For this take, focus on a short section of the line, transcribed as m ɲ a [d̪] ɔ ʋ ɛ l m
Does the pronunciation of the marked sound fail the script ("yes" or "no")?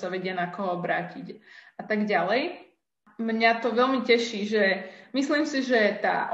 yes